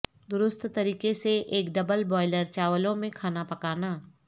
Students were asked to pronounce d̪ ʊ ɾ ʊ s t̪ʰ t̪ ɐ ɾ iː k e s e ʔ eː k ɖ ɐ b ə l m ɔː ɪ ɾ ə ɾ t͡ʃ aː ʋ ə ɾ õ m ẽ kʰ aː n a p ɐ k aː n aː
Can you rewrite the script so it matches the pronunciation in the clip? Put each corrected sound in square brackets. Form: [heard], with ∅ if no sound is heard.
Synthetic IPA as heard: d̪ ʊ ɾ ʊ s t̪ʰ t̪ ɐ ɾ iː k e s e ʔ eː k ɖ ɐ b ə l [b] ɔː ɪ [l] ə ɾ t͡ʃ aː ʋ ə [l] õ m ẽ kʰ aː n a p ɐ k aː n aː